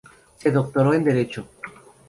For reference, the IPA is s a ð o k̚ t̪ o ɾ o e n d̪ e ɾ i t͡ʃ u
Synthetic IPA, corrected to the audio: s e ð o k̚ t̪ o ɾ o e n d̪ e ɾ e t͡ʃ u